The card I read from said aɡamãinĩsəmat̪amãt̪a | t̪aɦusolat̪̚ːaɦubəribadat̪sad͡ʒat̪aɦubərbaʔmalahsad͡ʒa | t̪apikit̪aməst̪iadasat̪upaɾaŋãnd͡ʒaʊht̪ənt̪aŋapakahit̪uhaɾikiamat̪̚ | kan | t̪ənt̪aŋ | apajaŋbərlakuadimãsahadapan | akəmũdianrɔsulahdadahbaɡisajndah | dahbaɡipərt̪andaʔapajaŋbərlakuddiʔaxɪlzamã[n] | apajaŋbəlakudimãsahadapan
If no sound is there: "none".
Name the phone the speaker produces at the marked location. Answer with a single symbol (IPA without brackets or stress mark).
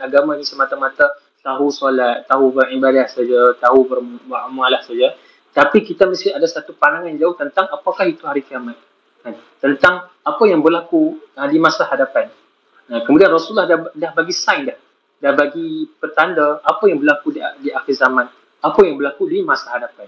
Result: n